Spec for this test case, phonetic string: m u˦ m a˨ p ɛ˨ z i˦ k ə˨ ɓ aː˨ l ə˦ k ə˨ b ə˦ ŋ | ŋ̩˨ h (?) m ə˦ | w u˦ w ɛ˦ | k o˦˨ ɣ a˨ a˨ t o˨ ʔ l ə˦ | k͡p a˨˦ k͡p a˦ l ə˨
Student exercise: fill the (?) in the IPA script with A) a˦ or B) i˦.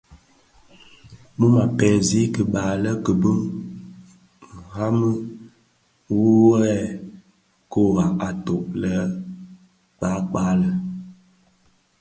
A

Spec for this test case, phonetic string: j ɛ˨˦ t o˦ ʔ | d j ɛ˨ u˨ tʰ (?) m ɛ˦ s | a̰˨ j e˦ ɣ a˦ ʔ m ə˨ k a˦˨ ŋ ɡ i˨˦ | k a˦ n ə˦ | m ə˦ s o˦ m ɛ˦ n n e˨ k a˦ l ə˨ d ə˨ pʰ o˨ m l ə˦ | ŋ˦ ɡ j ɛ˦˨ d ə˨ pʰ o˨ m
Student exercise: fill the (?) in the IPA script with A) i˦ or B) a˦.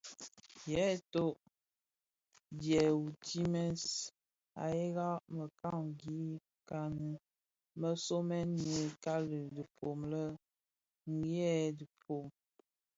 A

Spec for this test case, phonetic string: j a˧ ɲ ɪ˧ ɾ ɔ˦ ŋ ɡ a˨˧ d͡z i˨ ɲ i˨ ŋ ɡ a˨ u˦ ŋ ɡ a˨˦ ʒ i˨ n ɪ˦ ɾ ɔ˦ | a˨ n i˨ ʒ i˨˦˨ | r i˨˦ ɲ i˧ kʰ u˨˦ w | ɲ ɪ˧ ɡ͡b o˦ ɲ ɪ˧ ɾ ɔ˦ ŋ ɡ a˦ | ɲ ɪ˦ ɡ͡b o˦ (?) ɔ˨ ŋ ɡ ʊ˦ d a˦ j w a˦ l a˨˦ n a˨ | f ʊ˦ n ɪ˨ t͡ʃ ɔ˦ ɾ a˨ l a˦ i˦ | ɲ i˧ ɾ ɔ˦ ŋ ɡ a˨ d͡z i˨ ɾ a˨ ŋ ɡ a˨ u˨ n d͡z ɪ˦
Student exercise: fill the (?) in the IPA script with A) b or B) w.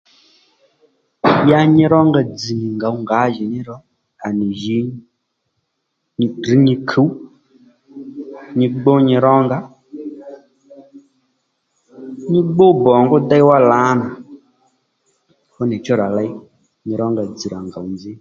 A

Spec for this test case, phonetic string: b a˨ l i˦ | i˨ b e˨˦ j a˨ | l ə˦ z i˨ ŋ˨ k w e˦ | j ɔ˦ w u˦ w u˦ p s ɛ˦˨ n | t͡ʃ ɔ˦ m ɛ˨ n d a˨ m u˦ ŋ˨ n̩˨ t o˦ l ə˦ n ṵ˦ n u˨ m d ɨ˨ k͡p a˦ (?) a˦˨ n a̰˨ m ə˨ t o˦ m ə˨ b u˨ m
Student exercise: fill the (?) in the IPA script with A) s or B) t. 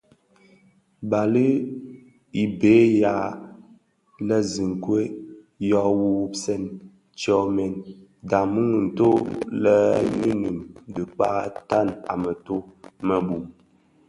B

